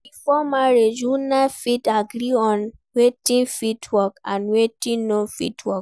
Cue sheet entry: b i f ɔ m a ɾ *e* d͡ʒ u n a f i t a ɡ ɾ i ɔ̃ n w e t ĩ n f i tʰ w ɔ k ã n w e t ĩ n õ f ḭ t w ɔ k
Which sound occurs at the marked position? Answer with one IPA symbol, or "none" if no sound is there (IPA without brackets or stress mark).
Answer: e